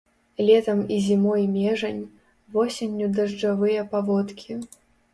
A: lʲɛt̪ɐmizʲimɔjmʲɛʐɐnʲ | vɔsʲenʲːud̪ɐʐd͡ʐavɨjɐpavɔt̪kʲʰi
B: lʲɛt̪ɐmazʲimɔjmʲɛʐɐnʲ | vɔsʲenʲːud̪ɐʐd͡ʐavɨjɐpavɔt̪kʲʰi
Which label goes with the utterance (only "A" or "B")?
A